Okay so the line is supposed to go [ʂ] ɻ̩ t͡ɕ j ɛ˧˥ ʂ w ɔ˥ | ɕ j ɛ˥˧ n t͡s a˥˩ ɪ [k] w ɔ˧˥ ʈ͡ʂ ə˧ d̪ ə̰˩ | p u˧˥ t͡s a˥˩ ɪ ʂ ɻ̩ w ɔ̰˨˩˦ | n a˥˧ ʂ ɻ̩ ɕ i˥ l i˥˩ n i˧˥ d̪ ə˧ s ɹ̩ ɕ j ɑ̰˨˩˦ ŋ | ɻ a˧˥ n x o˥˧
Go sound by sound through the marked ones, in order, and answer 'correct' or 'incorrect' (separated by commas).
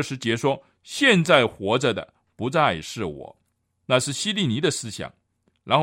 correct, incorrect